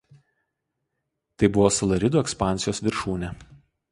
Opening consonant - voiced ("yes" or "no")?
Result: no